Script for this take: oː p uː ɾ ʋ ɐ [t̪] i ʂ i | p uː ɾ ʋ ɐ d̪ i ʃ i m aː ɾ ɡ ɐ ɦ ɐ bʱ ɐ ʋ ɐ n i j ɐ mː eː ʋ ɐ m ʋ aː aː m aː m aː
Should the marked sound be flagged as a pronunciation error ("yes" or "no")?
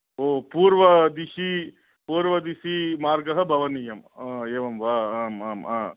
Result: yes